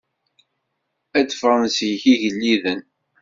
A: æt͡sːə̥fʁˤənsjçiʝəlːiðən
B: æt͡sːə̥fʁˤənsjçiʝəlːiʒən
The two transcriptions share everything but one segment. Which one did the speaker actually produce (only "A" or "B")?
A